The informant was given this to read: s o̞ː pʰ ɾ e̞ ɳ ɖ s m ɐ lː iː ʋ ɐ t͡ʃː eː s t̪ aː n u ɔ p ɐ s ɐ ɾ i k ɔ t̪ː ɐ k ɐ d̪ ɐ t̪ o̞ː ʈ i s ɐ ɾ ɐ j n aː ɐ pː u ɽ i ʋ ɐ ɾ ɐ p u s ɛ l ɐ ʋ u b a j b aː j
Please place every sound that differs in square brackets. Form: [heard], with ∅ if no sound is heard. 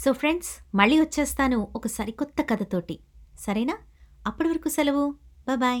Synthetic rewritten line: s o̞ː pʰ ɾ e̞ ɳ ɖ s m ɐ [ɭː] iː ʋ ɐ t͡ʃː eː s t̪ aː n u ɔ [k] ɐ s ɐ ɾ i k ɔ t̪ː ɐ k ɐ d̪ ɐ t̪ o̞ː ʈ i s ɐ ɾ ɐ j n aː ɐ pː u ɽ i ʋ ɐ ɾ ɐ [k] u s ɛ l ɐ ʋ u b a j b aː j